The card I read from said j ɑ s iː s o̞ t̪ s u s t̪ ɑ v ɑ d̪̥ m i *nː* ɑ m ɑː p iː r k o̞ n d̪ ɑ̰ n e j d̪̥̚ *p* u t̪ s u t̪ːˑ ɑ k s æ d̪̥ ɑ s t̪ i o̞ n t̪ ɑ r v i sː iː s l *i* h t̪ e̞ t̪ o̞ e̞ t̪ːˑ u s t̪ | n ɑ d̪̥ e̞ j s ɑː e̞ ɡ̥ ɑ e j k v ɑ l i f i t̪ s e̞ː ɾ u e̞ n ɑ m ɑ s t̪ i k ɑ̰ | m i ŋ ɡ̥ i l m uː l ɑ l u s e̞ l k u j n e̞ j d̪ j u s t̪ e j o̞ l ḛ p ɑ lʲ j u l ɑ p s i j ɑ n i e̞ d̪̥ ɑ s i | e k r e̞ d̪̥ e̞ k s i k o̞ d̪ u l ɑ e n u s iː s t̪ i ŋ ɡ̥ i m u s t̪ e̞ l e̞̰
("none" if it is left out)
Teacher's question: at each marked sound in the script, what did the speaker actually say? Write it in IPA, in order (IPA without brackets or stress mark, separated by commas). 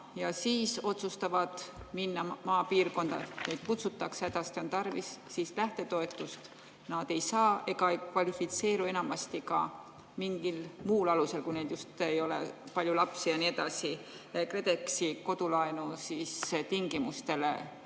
nː, k, æ